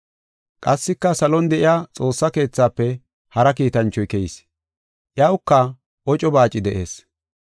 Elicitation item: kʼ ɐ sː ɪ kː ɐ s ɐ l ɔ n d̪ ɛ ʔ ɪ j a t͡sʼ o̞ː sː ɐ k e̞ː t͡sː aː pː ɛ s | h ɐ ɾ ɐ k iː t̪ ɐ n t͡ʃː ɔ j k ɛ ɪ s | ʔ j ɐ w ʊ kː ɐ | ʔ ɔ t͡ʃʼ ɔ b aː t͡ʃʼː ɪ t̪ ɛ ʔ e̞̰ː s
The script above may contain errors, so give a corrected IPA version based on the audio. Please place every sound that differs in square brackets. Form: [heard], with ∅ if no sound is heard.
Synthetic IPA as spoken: kʼ ɐ sː ɪ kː ɐ s ɐ l ɔ n d̪ ɛ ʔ ɪ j a t͡sʼ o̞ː sː ɐ k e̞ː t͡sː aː pː ɛ [∅] | h ɐ ɾ ɐ k iː t̪ ɐ n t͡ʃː ɔ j k ɛ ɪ s | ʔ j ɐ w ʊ kː ɐ | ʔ ɔ t͡ʃʼ ɔ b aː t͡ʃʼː ɪ [d̪] ɛ ʔ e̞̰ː s

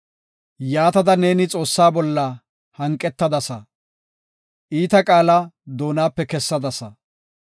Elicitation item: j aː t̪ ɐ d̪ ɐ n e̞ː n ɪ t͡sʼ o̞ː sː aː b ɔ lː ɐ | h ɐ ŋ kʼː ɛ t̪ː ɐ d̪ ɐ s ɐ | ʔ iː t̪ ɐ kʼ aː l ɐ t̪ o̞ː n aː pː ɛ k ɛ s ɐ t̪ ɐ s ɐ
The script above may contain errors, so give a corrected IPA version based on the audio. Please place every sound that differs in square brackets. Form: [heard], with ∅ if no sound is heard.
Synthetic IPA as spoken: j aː t̪ ɐ d̪ ɐ n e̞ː n ɪ t͡sʼ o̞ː sː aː b ɔ lː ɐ | h ɐ ŋ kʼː ɛ t̪ː ɐ d̪ ɐ s ɐ | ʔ iː t̪ ɐ kʼ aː l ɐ [d̪] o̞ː n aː pː ɛ k ɛ [sː] ɐ [d̪] ɐ s ɐ

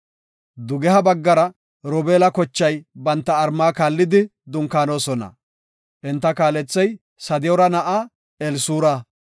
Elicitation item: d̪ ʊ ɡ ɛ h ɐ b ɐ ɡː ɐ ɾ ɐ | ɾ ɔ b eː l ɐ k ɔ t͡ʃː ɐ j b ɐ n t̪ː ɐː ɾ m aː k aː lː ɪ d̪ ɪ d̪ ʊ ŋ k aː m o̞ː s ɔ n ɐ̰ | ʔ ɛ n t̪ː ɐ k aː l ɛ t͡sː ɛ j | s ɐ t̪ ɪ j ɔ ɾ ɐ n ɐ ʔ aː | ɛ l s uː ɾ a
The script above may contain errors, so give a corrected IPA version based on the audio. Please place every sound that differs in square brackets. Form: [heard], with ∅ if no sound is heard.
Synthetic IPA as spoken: d̪ ʊ ɡ ɛ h ɐ b ɐ ɡː ɐ ɾ ɐ | ɾ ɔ b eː l ɐ k ɔ t͡ʃː ɐ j b ɐ n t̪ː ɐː ɾ m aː k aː lː ɪ d̪ ɪ d̪ ʊ ŋ k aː [n] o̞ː s ɔ n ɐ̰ | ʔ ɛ n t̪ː ɐ k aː l ɛ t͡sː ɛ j | s ɐ [d̪] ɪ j ɔ ɾ ɐ n ɐ ʔ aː | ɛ l s uː ɾ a

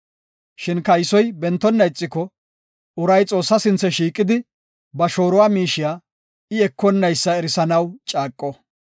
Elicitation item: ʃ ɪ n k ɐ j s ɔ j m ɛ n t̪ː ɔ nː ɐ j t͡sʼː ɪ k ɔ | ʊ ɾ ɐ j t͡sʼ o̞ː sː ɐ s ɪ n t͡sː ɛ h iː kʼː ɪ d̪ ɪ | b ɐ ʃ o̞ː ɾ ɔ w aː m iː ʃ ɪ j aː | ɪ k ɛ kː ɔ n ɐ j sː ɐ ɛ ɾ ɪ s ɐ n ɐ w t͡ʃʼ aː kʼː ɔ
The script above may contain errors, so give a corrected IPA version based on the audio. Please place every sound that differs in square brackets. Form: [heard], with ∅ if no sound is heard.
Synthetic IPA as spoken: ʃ ɪ n k ɐ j s ɔ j [b] ɛ n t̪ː ɔ nː ɐ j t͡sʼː ɪ k ɔ | ʊ ɾ ɐ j t͡sʼ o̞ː sː ɐ s ɪ n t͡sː ɛ [ʃ] iː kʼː ɪ d̪ ɪ | b ɐ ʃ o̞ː ɾ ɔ w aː m iː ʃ ɪ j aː | ɪ [∅] ɛ kː ɔ [nː] ɐ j sː ɐ ɛ ɾ ɪ s ɐ n ɐ w t͡ʃʼ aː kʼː ɔ

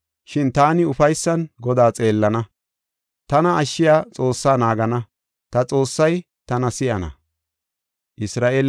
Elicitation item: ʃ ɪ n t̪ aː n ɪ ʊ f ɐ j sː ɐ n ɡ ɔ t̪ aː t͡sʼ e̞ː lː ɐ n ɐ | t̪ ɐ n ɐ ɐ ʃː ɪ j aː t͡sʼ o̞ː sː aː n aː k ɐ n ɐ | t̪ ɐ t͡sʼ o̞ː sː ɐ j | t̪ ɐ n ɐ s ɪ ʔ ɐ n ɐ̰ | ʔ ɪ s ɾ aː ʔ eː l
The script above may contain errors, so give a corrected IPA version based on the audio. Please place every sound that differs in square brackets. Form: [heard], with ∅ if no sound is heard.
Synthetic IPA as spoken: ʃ ɪ n t̪ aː n ɪ ʊ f ɐ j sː ɐ n ɡ ɔ [d̪] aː t͡sʼ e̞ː lː ɐ n ɐ | t̪ ɐ n ɐ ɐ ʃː ɪ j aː t͡sʼ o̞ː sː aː n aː [ɡ] ɐ n ɐ | t̪ ɐ t͡sʼ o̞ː sː ɐ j | t̪ ɐ n ɐ s ɪ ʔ ɐ n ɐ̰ | ʔ ɪ s ɾ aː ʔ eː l

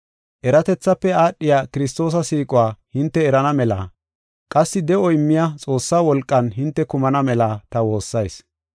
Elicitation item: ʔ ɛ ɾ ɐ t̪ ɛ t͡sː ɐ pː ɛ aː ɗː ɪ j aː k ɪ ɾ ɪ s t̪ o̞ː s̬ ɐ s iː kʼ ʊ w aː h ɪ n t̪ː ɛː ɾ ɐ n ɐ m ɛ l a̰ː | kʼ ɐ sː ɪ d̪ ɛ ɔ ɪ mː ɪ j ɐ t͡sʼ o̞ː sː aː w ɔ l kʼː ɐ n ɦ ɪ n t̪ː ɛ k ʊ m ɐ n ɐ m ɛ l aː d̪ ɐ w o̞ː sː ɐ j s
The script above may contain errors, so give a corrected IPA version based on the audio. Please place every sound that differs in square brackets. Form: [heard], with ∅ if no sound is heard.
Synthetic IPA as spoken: ʔ ɛ ɾ ɐ t̪ ɛ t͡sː ɐ pː ɛ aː ɗː ɪ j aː k ɪ ɾ ɪ s t̪ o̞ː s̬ ɐ s iː kʼ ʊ w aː h ɪ n t̪ː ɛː ɾ ɐ n ɐ m ɛ l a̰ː | kʼ ɐ sː ɪ d̪ ɛ ɔ ɪ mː ɪ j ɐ t͡sʼ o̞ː sː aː w ɔ l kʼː ɐ n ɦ ɪ n t̪ː ɛ k ʊ m ɐ n ɐ m ɛ l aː [t̪] ɐ w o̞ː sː ɐ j s

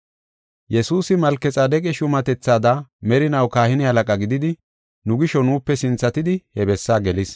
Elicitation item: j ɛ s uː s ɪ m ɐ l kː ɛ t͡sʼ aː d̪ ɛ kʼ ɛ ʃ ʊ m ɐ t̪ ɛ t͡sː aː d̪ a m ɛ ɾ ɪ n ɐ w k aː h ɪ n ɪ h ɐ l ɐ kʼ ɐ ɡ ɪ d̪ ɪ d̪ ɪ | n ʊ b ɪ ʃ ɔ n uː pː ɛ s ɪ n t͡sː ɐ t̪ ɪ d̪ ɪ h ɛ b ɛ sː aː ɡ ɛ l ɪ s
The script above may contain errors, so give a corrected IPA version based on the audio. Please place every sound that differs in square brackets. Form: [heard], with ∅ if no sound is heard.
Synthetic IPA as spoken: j ɛ s uː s ɪ m ɐ l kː ɛ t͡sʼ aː d̪ ɛ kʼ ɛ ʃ ʊ m ɐ t̪ ɛ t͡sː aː d̪ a m ɛ ɾ ɪ n ɐ w k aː h ɪ n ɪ h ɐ l ɐ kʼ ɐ ɡ ɪ d̪ ɪ d̪ ɪ | n ʊ [ɡ] ɪ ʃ ɔ n uː pː ɛ s ɪ n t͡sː ɐ t̪ ɪ d̪ ɪ h ɛ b ɛ sː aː ɡ ɛ l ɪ s

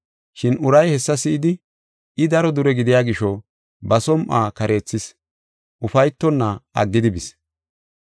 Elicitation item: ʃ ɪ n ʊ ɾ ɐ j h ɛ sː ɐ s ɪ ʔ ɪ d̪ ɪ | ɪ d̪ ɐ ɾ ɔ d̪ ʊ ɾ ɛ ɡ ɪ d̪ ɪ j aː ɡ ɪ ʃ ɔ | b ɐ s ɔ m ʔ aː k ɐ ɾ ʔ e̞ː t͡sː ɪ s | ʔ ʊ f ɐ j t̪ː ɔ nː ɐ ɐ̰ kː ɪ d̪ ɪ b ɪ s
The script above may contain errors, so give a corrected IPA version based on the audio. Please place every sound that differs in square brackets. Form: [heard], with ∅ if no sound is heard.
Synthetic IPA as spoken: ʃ ɪ n ʊ ɾ ɐ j h ɛ sː ɐ s ɪ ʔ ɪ d̪ ɪ | ɪ d̪ ɐ ɾ ɔ d̪ ʊ ɾ ɛ ɡ ɪ d̪ ɪ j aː ɡ ɪ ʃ ɔ | b ɐ s ɔ m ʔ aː k ɐ ɾ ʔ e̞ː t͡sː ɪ s | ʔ ʊ f ɐ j t̪ː ɔ nː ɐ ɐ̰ [ɡː] ɪ d̪ ɪ b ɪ s

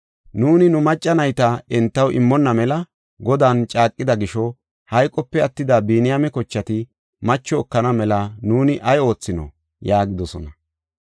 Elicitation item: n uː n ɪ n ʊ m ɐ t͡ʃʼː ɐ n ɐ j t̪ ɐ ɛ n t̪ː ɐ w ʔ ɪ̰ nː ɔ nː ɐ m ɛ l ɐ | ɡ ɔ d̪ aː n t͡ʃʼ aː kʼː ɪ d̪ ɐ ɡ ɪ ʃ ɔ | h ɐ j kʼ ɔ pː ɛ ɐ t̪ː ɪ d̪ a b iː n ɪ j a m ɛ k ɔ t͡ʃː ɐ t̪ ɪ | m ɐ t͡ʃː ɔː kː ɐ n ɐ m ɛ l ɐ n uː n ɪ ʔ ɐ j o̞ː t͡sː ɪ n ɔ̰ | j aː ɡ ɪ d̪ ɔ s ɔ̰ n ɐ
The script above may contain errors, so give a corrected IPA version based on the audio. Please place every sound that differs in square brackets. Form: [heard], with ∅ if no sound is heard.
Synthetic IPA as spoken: n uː n ɪ n ʊ m ɐ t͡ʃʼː ɐ n ɐ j t̪ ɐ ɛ n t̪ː ɐ w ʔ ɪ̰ [mː] ɔ nː ɐ m ɛ l ɐ | ɡ ɔ d̪ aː n t͡ʃʼ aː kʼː ɪ d̪ ɐ ɡ ɪ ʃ ɔ | h ɐ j kʼ ɔ pː ɛ ɐ t̪ː ɪ d̪ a b iː n ɪ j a m ɛ k ɔ t͡ʃː ɐ t̪ ɪ | m ɐ t͡ʃː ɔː kː ɐ n ɐ m ɛ l ɐ n uː n ɪ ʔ ɐ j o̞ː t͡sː ɪ n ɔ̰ | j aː ɡ ɪ d̪ ɔ s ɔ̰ n ɐ

